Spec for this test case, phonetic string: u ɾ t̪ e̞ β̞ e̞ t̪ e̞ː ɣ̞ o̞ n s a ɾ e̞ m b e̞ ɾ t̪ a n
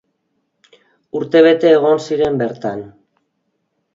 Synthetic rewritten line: u ɾ t̪ e̞ β̞ e̞ t̪ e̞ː ɣ̞ o̞ n s i ɾ e̞ m b e̞ ɾ t̪ a n